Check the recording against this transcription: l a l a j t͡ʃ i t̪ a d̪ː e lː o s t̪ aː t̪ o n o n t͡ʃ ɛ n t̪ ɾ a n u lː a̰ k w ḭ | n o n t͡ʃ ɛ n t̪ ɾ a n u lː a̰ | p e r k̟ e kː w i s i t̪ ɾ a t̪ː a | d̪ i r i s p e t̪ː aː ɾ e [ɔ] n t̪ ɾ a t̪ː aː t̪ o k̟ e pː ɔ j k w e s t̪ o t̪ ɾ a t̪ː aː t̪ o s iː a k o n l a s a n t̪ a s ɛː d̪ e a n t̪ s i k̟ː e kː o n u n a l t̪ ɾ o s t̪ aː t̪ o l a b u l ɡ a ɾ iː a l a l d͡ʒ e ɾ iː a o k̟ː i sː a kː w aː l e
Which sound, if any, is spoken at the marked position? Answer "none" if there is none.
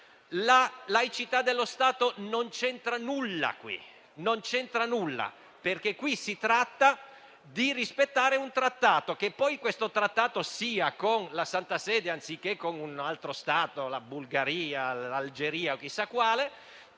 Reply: u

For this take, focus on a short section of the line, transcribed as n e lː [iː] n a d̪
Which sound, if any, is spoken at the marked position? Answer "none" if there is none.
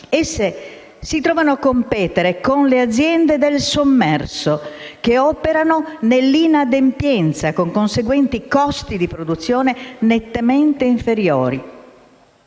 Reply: i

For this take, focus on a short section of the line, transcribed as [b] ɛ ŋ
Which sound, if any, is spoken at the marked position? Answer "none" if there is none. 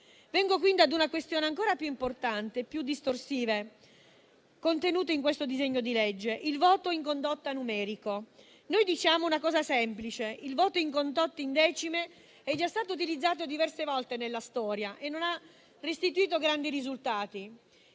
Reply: v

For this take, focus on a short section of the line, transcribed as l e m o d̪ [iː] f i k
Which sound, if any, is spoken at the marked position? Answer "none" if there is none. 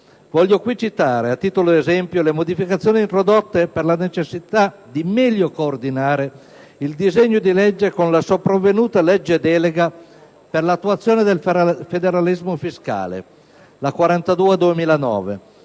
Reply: i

